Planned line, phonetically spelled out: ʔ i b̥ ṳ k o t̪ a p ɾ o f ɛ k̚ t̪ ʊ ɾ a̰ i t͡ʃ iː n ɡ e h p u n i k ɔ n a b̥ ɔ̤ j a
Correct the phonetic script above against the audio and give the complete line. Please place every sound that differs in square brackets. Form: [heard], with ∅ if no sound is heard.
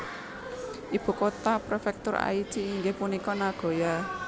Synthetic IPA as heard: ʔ i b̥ ṳ k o t̪ a p ɾ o f ɛ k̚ t̪ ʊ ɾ a̰ i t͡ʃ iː [ŋ] ɡ e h p u n i k ɔ n a [ɡ̥] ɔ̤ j a